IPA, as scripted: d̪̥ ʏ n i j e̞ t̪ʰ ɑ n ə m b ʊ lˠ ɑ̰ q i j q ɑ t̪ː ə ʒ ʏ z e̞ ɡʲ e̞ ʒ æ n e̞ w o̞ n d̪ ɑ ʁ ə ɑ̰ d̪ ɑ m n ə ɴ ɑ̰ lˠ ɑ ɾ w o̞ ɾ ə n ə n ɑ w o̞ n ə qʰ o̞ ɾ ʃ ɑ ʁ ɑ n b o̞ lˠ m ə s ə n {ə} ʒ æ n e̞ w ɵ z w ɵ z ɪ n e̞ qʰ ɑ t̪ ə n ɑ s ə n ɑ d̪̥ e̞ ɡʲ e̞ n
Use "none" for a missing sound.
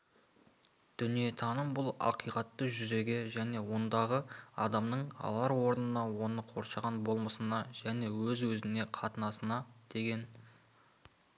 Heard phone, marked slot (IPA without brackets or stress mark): ɑ